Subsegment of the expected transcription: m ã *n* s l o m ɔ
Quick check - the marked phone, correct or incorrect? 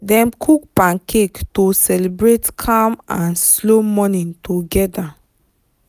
correct